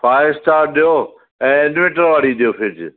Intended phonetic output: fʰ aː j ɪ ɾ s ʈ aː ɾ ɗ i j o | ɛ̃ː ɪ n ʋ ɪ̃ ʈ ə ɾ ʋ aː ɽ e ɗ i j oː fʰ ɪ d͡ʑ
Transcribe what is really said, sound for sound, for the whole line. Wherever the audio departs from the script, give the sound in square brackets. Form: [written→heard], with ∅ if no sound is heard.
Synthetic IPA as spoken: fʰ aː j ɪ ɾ s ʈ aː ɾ ɗ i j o | ɛ̃ː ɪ n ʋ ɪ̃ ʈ ə ɾ ʋ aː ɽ [e→i] ɗ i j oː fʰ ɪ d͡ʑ

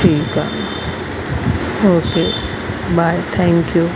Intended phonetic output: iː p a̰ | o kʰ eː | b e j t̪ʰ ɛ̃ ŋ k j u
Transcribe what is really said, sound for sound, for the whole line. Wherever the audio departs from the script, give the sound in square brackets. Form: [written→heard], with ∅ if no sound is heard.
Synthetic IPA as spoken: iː [p→k] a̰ | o [kʰ→k] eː | b [e→a] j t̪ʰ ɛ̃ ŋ k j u

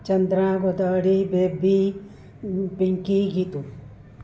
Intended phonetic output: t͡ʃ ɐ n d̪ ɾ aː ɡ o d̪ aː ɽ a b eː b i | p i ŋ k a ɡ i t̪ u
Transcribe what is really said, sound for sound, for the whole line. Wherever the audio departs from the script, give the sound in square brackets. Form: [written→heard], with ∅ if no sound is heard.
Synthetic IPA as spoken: t͡ʃ ɐ n d̪ ɾ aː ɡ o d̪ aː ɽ [a→i] b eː b i | p i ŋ k [a→i] ɡ i t̪ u

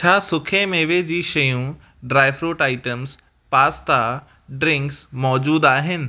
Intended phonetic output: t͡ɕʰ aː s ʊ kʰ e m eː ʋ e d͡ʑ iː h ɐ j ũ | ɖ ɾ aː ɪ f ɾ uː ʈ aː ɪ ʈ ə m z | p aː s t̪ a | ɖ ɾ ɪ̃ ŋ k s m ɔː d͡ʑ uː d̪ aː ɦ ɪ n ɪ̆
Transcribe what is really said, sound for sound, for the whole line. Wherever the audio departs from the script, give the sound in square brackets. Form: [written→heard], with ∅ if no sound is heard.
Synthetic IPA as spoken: t͡ɕʰ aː s ʊ kʰ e m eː ʋ e d͡ʑ iː [h→ʃ] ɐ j ũ | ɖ ɾ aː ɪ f ɾ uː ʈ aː ɪ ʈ ə m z | p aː s t̪ a | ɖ ɾ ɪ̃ ŋ k s m ɔː d͡ʑ uː d̪ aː ɦ ɪ n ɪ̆

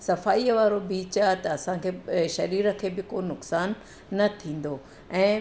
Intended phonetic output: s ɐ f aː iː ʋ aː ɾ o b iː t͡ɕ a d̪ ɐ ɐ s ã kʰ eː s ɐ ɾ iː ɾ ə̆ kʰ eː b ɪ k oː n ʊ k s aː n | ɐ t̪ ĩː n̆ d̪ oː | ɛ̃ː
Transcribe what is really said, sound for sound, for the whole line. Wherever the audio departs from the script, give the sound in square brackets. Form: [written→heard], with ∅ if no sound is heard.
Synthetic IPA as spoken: s ɐ f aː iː ʋ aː ɾ o b iː t͡ɕ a [d̪→t̪] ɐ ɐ s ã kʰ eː [s→ʃ] ɐ ɾ iː ɾ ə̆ kʰ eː b ɪ k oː n ʊ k s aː [n→nː] | ɐ [t̪→t̪ʰ] ĩː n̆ d̪ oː | ɛ̃ː

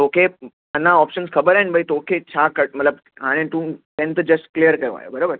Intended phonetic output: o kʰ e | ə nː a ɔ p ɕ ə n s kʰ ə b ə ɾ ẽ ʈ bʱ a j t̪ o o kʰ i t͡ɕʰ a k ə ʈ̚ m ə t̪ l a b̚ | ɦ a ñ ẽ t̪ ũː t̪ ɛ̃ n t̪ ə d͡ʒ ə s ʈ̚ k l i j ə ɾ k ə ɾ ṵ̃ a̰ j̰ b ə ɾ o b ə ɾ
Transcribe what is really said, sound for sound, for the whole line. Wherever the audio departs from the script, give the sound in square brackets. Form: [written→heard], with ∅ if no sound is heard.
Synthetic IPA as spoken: o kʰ e | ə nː a ɔ p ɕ ə n s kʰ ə b ə ɾ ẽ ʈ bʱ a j t̪ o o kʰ [i→e] t͡ɕʰ a k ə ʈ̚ m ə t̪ l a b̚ | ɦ a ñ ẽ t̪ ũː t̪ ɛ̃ n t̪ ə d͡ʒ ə s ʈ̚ k l i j ə ɾ k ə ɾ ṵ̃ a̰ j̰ b ə ɾ o b ə ɾ

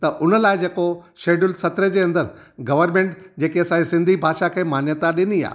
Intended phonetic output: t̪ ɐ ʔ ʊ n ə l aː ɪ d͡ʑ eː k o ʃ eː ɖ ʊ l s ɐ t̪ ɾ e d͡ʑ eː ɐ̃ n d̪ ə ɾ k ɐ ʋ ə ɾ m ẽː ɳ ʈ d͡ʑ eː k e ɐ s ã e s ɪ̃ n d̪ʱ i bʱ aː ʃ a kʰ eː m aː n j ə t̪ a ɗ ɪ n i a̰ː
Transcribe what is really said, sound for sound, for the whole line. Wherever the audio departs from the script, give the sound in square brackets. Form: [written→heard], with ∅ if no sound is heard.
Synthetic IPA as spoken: t̪ ɐ ʔ ʊ n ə l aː ɪ d͡ʑ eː k o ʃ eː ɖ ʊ l s ɐ t̪ ɾ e d͡ʑ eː ɐ̃ n d̪ ə ɾ [k→ɡ] ɐ ʋ ə ɾ m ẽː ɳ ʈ d͡ʑ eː k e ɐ s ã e s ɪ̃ n d̪ʱ i bʱ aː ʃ a kʰ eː m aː n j ə t̪ a ɗ ɪ n i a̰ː

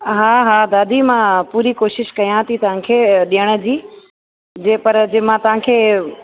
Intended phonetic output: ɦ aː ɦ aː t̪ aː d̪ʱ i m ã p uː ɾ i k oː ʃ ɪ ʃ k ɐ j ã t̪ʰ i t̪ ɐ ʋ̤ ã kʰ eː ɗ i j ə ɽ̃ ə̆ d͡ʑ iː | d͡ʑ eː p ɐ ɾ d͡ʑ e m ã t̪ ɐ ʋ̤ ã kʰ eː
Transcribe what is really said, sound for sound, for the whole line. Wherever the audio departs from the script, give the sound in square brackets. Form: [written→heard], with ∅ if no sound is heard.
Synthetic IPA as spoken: ɦ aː ɦ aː [t̪→d̪] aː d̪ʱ i m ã p uː ɾ i k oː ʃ ɪ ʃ k ɐ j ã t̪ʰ i t̪ ɐ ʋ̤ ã kʰ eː ɗ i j ə ɽ̃ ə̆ d͡ʑ iː | d͡ʑ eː p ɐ ɾ d͡ʑ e m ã t̪ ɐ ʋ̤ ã kʰ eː

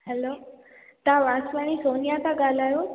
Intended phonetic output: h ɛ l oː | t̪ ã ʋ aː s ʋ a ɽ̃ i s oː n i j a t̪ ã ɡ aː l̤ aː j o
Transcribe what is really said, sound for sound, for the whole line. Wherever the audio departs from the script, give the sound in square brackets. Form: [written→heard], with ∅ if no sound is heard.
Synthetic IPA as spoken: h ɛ l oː | t̪ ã ʋ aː s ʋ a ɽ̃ i s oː n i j a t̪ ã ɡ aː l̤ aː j o

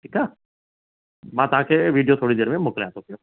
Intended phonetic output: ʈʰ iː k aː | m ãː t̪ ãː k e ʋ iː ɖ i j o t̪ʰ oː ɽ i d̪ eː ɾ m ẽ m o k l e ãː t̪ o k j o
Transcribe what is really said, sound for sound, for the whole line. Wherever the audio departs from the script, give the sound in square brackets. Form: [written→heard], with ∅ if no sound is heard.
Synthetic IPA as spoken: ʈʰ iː k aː | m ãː t̪ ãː k e ʋ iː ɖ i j o t̪ʰ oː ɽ i d̪ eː ɾ m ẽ m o k l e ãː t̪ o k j o

